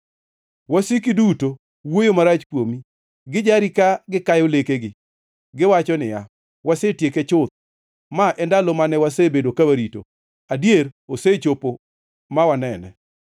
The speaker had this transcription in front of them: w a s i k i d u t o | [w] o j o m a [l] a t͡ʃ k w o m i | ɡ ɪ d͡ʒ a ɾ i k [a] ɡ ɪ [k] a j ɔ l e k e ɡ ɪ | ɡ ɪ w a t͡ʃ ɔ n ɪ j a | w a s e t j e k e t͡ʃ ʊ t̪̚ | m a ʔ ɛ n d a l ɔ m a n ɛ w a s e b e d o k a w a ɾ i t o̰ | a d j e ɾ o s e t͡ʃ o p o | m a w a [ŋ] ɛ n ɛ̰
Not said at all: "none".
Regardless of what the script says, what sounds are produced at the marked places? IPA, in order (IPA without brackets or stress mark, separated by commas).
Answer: w, ɾ, a, k, n